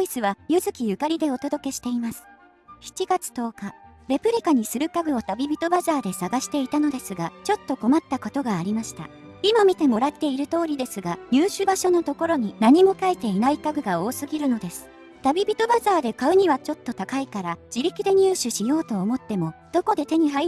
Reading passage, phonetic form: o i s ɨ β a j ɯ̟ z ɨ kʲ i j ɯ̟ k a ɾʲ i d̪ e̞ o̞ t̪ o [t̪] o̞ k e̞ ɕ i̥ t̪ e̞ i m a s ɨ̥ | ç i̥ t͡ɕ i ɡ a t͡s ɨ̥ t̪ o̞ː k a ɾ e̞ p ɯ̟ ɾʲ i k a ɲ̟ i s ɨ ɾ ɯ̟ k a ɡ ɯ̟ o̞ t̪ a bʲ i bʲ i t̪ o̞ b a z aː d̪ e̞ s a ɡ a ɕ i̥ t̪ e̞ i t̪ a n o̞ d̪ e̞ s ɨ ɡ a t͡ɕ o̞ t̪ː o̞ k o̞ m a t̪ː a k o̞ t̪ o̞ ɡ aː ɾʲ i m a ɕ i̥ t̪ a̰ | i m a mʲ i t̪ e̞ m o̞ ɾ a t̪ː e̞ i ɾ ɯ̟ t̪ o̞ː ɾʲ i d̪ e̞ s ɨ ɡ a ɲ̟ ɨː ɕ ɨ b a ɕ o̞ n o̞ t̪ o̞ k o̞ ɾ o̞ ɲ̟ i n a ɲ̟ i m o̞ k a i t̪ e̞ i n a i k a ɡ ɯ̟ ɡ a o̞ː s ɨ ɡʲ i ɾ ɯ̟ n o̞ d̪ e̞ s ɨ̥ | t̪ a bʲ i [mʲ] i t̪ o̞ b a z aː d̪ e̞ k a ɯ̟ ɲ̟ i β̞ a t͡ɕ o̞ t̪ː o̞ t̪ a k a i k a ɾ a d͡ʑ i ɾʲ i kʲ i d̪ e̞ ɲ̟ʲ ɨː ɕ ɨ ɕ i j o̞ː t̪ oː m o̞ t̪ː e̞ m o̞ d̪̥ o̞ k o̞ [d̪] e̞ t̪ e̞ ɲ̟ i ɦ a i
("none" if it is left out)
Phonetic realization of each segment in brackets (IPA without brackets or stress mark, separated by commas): d̪, bʲ, d̪